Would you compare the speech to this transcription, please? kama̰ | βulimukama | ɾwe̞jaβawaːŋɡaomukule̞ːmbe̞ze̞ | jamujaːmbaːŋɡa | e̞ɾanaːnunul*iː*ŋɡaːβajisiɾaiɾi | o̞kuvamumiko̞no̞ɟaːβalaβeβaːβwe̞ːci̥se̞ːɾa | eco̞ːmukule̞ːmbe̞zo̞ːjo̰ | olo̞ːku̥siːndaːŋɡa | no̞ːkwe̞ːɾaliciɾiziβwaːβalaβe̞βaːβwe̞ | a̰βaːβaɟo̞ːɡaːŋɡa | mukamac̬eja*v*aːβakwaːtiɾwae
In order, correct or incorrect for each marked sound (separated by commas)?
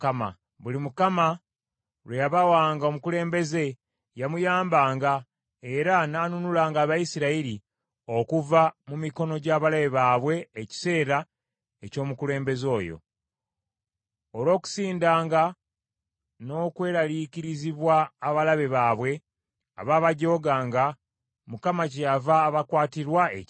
incorrect, correct